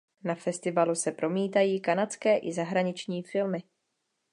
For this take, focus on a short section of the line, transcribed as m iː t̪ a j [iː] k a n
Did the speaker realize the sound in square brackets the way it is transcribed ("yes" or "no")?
yes